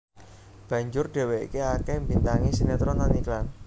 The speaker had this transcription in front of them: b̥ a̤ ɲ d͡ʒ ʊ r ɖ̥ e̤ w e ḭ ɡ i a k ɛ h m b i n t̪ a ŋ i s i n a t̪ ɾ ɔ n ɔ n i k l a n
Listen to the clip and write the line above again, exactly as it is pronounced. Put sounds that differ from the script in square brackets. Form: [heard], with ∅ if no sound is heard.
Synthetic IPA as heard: b̥ a̤ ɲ d͡ʒ ʊ r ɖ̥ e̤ w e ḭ [k] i a k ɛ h m b i n t̪ a ŋ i s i n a t̪ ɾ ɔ n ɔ n i k l a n

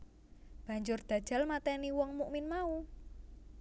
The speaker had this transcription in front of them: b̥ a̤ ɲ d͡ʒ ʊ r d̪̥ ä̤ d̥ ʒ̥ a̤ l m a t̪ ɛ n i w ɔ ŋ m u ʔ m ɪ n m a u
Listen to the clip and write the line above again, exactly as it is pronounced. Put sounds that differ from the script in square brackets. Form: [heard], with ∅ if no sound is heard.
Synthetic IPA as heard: b̥ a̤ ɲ d͡ʒ ʊ r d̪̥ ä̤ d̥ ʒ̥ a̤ l m a t̪ ɛ n i w ɔ ŋ m u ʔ m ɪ n m a u

